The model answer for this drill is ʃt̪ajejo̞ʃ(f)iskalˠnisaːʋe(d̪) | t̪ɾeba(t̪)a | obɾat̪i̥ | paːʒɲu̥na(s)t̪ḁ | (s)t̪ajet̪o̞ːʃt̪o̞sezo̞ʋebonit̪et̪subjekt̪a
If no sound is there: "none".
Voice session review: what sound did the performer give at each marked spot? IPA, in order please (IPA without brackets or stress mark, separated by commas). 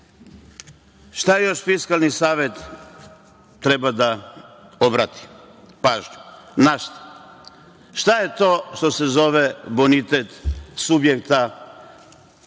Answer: f, t̪, d̪, ʃ, ʃ